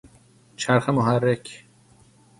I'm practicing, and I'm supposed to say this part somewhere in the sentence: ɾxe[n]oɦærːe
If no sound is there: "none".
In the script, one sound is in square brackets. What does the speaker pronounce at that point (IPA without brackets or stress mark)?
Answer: m